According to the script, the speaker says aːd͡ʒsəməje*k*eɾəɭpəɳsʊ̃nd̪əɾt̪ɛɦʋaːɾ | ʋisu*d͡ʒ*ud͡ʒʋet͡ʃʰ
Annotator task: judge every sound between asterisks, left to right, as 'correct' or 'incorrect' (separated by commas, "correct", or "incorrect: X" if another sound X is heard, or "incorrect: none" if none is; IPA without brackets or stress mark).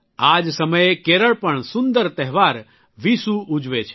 correct, incorrect: none